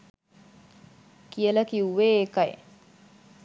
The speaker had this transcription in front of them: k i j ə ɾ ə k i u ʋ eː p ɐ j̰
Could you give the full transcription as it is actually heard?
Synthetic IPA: k i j ə l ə k i u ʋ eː k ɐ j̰